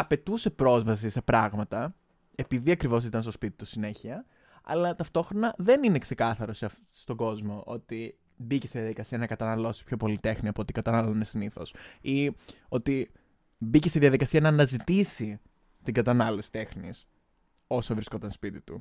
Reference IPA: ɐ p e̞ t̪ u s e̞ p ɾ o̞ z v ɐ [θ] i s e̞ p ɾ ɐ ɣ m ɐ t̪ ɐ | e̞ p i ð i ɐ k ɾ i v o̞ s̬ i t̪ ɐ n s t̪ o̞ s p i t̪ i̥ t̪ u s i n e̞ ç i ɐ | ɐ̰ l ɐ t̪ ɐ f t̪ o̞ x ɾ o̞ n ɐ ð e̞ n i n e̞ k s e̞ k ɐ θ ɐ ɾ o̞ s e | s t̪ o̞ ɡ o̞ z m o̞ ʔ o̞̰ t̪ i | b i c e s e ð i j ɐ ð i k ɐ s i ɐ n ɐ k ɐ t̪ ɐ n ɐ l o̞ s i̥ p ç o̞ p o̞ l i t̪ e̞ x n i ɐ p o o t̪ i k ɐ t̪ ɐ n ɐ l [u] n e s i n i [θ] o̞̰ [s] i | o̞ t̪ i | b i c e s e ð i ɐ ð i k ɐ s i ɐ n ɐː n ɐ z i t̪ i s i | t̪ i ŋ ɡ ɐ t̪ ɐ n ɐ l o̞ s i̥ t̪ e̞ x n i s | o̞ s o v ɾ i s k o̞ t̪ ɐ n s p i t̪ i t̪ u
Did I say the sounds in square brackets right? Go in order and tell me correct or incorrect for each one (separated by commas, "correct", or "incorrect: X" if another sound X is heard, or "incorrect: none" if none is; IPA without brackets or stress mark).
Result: incorrect: s, incorrect: o, correct, correct